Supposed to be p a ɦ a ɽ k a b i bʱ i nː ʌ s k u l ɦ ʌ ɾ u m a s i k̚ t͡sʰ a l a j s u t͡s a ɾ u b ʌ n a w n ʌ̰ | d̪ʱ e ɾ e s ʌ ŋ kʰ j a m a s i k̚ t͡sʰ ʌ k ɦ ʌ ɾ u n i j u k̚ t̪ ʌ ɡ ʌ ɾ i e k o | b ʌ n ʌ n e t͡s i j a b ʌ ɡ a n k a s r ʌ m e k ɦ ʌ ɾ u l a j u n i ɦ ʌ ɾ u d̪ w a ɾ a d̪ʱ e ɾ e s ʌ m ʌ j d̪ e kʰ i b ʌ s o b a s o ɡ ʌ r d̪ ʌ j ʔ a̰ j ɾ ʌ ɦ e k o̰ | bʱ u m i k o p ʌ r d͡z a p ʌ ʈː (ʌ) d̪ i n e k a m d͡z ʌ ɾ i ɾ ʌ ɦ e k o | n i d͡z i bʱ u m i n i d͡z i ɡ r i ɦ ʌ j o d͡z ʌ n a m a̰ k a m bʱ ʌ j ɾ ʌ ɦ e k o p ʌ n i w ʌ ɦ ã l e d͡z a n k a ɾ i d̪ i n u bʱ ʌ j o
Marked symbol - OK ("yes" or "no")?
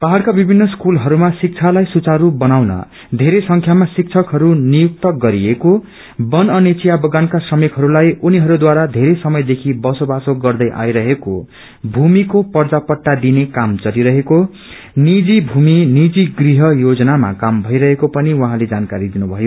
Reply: no